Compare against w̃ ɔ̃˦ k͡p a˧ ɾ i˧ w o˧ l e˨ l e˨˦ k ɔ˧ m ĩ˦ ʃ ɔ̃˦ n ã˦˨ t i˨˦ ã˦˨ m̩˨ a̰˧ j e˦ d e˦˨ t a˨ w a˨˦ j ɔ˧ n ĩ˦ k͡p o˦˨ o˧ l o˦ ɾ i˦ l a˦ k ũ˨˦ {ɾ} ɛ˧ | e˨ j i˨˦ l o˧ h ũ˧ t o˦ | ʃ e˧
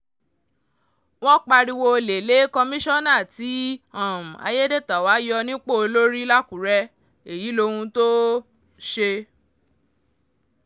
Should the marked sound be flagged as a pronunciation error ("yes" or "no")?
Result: no